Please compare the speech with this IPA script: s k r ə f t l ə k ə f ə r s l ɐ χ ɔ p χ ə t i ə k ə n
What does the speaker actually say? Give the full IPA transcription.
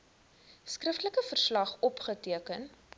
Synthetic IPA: s k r ə f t l ə k ə f ə r s l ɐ χ ɔ p χ ə t i ə k ə n